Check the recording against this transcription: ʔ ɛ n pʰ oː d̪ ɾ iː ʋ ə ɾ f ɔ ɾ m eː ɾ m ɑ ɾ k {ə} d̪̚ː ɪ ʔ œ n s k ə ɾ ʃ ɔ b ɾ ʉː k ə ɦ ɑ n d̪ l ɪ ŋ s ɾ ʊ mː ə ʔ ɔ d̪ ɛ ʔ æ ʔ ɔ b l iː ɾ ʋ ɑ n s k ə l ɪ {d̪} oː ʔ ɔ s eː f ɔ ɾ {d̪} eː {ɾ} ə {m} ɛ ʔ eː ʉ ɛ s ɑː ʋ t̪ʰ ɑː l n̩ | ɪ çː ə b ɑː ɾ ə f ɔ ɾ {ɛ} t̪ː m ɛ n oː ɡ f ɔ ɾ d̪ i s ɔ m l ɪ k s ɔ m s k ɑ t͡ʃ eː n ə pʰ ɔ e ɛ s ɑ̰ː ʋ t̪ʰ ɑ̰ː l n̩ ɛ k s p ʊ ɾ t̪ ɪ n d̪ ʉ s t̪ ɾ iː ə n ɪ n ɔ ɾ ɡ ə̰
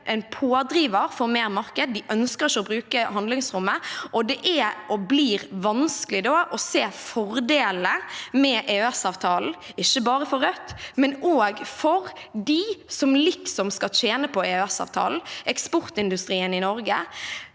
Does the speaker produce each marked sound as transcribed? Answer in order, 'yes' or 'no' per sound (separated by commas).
yes, yes, yes, no, yes, no